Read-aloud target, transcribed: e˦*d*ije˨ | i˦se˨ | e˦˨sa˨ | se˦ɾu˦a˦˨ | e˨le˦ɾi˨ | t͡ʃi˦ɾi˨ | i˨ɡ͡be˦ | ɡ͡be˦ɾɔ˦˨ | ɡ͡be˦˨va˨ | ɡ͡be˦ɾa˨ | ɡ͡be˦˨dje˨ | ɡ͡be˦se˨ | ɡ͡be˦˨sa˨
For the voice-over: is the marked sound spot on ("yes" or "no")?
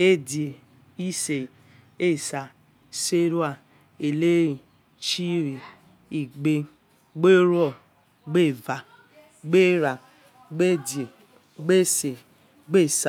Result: yes